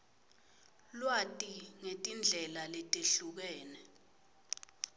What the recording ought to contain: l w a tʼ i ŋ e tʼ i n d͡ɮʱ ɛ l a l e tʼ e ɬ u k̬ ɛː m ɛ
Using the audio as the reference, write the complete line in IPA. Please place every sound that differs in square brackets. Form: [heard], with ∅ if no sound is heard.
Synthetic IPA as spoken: l w a tʼ i ŋ e tʼ i n d͡ɮʱ ɛ l a l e tʼ e ɬ u k̬ ɛː [n] ɛ

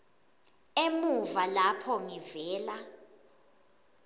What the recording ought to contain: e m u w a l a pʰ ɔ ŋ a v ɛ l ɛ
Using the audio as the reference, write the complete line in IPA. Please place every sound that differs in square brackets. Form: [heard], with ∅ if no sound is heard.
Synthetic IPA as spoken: e m u [v] a l a pʰ ɔ ŋ [i] v [ɛː] l [a]

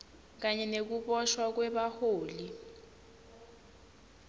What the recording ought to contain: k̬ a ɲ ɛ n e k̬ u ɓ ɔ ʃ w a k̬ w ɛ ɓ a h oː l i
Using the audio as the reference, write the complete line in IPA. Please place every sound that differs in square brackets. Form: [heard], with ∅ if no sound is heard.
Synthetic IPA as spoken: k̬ a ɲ ɛ n e k̬ u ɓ ɔ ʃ w a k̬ w ɛ ɓ a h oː l i

